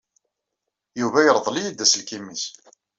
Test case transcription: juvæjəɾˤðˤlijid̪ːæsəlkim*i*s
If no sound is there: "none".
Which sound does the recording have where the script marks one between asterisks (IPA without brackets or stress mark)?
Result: i